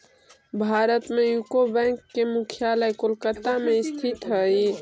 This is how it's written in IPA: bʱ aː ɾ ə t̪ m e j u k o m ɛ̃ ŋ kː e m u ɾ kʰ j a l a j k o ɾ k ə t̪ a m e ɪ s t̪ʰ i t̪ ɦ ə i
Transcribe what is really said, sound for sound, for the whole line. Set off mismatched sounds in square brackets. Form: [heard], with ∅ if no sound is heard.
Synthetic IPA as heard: bʱ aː ɾ ə t̪ m e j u k o [b] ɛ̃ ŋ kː e m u [∅] kʰ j a l [ə] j k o [l] k ə t̪ a m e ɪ s t̪ʰ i t̪ ɦ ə i